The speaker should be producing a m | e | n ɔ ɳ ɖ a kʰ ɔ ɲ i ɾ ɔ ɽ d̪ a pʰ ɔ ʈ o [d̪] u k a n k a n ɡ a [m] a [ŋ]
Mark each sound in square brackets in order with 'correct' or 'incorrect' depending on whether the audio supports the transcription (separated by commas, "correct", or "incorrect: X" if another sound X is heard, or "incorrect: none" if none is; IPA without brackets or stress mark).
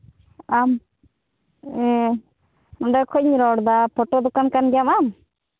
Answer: correct, correct, incorrect: m